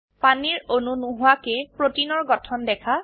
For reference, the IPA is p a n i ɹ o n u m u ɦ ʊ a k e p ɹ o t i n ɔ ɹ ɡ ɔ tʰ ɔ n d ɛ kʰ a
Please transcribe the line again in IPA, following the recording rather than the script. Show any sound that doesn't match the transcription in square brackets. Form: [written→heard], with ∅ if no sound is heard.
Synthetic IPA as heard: p a n i ɹ o n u [m→n] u ɦ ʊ a k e p ɹ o t i n ɔ ɹ ɡ ɔ tʰ ɔ n d ɛ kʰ a